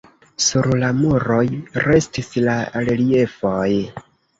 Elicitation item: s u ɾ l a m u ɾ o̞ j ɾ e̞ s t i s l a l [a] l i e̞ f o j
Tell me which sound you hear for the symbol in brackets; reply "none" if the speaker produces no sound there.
e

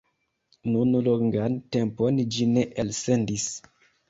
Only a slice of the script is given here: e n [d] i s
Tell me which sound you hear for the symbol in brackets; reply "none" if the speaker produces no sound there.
d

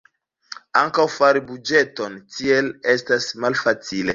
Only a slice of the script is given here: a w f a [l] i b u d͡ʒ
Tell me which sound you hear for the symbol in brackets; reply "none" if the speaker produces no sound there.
ɾ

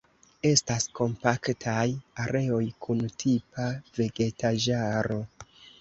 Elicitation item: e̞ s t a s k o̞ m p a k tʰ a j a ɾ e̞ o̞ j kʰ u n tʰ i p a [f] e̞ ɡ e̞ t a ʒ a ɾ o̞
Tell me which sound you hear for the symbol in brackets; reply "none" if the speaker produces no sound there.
v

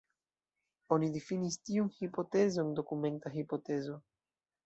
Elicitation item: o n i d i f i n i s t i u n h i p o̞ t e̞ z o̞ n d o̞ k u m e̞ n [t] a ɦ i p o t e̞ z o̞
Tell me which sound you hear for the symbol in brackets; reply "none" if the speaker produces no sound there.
t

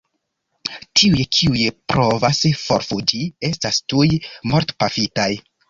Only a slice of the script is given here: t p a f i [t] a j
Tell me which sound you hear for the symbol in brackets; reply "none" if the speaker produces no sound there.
t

